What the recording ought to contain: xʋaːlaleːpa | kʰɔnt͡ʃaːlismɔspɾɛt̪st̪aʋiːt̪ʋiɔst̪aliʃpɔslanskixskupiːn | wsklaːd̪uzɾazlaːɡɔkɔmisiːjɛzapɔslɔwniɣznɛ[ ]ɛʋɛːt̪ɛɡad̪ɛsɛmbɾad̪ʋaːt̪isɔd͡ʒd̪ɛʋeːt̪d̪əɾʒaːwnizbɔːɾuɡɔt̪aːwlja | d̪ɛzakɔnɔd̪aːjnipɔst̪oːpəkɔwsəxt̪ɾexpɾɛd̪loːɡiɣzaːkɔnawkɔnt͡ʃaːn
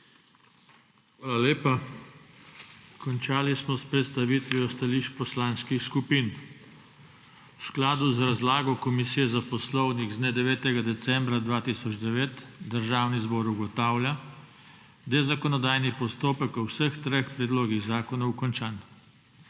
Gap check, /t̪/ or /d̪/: d̪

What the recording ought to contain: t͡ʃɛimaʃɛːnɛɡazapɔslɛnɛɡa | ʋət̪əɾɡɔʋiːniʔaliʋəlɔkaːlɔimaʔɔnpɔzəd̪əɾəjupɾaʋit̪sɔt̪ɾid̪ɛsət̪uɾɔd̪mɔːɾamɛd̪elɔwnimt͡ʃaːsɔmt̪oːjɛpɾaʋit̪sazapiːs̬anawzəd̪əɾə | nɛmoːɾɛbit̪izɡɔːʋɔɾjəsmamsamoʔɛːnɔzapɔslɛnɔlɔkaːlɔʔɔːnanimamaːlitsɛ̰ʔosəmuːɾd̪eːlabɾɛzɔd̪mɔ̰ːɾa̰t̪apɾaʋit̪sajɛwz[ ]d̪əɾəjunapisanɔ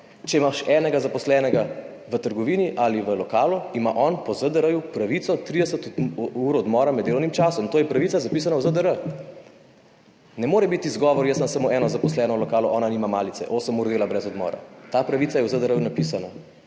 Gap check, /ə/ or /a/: ə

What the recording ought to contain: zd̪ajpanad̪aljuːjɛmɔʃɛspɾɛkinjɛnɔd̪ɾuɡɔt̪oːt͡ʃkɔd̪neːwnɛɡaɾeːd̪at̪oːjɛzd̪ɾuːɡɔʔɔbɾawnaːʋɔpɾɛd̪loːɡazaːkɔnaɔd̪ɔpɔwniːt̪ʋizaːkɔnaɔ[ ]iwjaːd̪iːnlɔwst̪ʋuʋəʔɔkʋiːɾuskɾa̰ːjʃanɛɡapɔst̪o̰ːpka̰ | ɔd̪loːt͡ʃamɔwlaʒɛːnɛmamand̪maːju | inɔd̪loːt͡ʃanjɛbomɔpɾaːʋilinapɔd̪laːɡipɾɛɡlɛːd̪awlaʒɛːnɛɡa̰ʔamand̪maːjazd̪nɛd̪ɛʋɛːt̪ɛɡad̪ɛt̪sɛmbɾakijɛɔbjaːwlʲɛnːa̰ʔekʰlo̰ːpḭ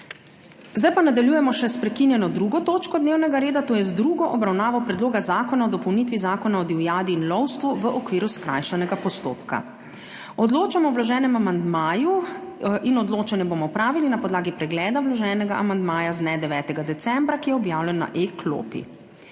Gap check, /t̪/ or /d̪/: d̪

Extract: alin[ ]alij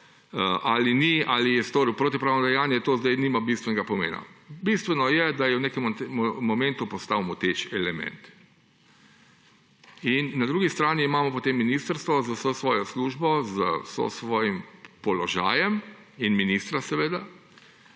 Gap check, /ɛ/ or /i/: i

